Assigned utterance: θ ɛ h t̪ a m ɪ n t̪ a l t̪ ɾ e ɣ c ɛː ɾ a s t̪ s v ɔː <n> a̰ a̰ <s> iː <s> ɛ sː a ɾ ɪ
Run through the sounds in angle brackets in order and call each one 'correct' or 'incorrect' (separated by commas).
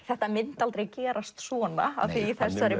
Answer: correct, incorrect, incorrect